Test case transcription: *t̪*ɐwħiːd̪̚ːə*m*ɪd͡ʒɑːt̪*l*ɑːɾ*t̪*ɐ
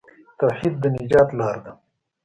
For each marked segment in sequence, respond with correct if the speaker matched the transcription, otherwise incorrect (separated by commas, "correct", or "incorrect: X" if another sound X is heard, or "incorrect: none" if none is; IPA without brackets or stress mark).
correct, incorrect: n, correct, incorrect: d̪